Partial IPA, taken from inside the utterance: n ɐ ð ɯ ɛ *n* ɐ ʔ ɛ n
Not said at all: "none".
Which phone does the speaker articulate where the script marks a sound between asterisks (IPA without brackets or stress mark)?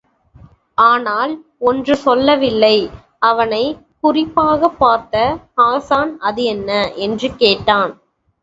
nː